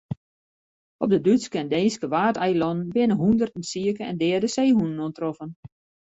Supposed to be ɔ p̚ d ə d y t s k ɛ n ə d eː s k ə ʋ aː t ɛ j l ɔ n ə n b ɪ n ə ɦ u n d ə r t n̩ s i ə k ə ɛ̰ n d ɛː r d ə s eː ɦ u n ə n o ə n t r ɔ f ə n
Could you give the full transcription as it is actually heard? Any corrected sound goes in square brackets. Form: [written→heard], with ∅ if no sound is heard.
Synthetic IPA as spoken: ɔ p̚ d ə d y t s k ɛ n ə d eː s k ə ʋ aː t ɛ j l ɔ n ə n b ɪ n ə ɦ u n d ə r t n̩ s i ə k ə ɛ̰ n d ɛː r d ə s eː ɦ u n ə n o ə n t r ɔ f ə n